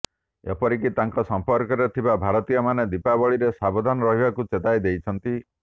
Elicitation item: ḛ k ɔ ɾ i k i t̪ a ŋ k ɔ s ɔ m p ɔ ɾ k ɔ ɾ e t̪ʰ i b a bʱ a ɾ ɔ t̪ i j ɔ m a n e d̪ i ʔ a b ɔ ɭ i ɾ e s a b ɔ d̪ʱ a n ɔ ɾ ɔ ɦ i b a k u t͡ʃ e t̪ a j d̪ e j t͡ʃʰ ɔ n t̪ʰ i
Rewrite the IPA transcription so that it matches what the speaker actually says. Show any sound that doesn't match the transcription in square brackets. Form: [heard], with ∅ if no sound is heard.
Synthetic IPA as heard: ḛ [p] ɔ ɾ i k i t̪ a ŋ k ɔ s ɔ m p ɔ ɾ k ɔ ɾ e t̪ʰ i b a bʱ a ɾ ɔ t̪ i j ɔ m a n e d̪ i [p] a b ɔ ɭ i ɾ e s a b ɔ d̪ʱ a n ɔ ɾ ɔ ɦ i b a k u t͡ʃ e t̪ a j d̪ e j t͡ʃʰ ɔ n [t̪] i